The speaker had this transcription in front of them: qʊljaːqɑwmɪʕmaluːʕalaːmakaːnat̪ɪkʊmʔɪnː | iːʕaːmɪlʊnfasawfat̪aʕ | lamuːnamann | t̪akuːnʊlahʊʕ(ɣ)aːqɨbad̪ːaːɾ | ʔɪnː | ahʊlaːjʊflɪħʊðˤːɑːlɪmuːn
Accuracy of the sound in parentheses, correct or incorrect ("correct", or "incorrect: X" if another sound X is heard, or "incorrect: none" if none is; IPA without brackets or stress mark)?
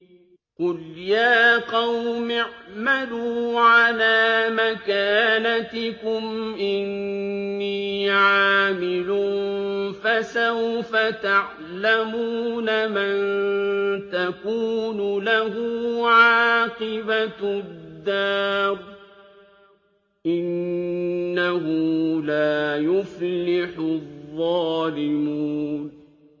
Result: incorrect: ʕ